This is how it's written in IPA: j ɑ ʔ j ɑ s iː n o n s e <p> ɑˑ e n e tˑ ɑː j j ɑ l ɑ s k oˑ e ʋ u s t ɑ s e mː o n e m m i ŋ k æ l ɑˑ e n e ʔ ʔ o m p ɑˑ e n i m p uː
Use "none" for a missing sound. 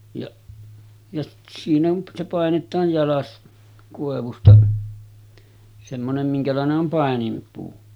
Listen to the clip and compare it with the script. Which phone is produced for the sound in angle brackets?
p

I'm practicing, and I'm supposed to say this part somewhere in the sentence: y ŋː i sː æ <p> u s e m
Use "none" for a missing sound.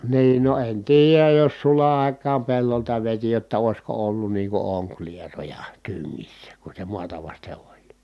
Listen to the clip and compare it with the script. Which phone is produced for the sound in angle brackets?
k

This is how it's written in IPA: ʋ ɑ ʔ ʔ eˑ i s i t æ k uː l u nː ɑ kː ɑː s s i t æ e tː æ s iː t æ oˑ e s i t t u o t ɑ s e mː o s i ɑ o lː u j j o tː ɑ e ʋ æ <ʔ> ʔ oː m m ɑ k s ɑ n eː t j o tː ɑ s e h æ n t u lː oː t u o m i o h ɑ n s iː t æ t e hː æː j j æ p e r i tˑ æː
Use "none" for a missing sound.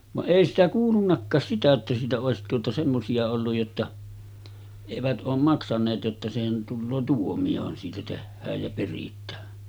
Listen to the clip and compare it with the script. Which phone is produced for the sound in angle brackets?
t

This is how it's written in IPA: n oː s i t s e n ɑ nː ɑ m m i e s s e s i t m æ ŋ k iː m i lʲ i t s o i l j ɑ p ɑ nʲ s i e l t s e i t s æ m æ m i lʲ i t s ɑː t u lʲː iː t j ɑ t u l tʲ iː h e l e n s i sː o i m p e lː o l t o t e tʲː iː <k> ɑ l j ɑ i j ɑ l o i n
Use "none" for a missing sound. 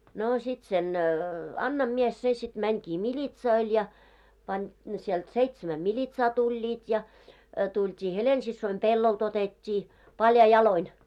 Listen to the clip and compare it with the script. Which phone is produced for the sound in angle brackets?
p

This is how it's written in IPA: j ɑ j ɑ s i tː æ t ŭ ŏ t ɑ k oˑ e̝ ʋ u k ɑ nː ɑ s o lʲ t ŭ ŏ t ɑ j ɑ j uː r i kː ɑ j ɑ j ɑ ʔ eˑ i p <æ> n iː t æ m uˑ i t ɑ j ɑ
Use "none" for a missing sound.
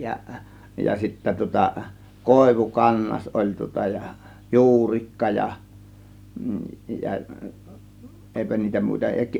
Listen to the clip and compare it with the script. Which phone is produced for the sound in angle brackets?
æ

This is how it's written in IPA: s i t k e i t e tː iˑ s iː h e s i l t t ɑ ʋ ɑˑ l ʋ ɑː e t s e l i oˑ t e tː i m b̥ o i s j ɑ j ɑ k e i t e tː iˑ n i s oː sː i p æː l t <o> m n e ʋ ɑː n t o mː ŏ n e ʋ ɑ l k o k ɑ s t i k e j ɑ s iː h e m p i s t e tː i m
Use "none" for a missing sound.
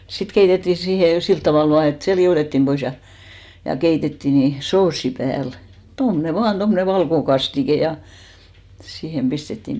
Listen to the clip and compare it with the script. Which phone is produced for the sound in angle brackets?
o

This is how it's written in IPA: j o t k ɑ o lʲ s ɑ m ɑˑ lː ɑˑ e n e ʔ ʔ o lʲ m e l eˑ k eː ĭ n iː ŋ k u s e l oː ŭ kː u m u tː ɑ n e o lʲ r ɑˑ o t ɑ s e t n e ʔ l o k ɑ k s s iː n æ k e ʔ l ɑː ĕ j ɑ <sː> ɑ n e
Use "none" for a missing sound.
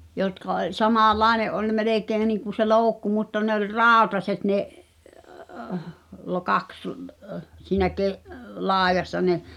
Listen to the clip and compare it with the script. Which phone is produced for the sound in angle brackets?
sː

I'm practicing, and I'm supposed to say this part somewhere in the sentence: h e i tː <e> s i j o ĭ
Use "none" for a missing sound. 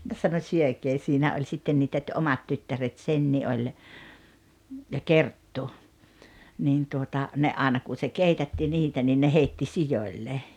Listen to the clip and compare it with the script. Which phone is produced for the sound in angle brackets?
i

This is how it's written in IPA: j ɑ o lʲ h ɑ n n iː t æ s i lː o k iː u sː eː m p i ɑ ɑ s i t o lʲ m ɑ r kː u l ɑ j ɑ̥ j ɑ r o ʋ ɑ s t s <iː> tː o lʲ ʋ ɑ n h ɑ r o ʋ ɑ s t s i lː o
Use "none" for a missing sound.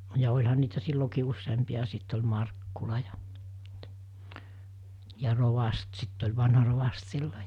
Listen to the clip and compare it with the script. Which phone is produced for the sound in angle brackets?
i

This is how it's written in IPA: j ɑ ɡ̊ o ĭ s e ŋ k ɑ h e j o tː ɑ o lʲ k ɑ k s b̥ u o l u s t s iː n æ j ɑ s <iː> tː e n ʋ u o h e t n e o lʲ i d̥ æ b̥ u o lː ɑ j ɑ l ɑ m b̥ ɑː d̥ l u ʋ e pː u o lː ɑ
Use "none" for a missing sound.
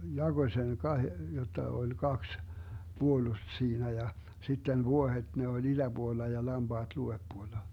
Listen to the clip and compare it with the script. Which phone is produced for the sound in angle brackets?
i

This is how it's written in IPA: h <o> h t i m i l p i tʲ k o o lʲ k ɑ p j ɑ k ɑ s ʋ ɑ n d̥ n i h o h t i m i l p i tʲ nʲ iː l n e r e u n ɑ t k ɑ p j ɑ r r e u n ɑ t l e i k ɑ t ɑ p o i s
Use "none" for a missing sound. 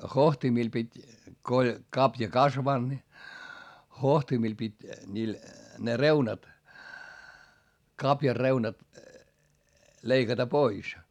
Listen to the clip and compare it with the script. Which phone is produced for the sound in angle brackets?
o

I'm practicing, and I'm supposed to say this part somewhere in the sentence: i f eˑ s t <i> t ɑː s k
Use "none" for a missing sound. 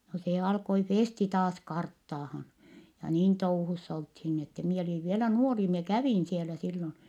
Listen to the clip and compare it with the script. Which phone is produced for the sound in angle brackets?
i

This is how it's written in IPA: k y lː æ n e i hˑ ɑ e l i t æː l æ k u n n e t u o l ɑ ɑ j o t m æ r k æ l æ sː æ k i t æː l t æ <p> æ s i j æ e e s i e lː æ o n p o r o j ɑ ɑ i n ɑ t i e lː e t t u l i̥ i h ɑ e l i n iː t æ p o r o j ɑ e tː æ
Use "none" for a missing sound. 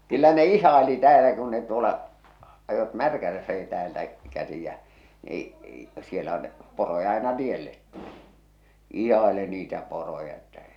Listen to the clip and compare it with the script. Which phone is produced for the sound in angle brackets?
k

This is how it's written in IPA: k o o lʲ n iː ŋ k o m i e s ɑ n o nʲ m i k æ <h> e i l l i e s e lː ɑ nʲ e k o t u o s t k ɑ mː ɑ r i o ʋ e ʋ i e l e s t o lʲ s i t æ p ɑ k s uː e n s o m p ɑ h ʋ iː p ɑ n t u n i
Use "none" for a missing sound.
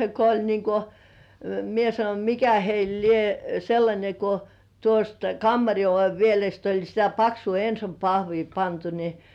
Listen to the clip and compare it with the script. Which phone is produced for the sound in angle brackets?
h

